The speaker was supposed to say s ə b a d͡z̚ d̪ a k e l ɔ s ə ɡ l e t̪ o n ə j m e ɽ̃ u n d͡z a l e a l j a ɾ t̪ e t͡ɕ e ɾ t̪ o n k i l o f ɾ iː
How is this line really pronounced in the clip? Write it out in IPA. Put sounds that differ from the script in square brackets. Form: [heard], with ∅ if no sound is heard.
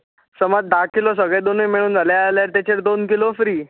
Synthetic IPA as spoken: s ə [m] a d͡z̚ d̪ a k [i] l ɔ s ə ɡ [ɭ] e [d̪] o n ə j m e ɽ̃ [uː] n d͡z a l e a l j a ɾ t̪ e t͡ɕ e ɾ [d̪] o n k i l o f ɾ iː